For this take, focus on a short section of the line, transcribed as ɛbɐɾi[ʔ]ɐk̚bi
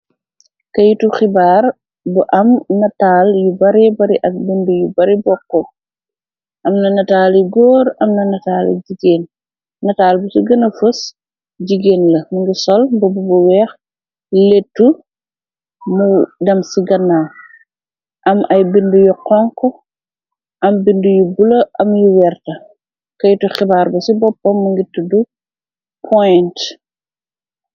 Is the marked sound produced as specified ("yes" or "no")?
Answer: yes